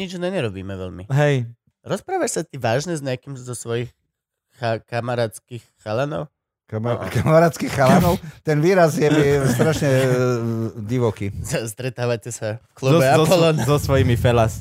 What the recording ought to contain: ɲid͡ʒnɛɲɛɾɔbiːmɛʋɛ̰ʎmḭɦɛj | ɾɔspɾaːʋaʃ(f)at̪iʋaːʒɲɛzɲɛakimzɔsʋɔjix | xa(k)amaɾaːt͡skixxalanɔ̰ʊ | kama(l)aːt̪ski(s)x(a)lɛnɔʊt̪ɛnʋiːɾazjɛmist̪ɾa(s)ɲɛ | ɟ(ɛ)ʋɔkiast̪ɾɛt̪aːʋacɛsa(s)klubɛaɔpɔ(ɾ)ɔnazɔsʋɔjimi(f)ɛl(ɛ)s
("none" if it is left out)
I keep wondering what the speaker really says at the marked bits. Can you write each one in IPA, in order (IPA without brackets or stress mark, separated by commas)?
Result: s, k, ɾ, x, a, ʃ, i, f, l, f, a